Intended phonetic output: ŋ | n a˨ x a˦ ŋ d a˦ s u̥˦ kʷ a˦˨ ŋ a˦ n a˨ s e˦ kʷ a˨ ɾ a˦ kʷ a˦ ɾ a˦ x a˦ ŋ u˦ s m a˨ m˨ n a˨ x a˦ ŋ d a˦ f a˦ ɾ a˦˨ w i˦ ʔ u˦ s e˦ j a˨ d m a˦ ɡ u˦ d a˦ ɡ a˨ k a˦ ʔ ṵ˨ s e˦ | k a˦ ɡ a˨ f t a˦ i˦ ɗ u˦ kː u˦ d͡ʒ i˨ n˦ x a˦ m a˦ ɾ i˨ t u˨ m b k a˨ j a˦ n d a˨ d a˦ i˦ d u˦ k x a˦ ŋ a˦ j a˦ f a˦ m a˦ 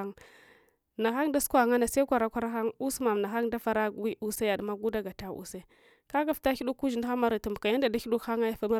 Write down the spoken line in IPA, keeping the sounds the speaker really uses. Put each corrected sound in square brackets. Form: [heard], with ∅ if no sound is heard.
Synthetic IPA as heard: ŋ | n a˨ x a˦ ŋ d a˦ s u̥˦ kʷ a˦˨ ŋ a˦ n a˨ s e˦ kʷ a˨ ɾ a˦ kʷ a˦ ɾ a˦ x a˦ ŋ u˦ s m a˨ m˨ n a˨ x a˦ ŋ d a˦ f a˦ ɾ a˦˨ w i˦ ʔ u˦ s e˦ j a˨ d m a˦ ɡ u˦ d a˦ ɡ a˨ [t] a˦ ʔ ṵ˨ s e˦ | k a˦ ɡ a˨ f t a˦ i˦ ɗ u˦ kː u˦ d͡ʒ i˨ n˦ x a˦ m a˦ ɾ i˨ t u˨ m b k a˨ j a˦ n d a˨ d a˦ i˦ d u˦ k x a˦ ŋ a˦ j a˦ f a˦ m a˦